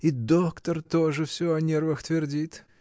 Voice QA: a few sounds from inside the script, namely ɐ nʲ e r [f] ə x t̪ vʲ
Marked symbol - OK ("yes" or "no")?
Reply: no